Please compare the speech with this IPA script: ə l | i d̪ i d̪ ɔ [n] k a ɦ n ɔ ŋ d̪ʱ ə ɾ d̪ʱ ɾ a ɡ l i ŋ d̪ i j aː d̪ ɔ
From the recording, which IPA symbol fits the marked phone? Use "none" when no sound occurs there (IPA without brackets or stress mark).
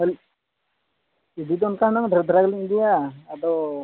n